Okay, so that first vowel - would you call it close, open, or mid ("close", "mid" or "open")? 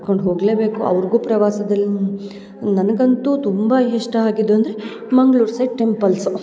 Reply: mid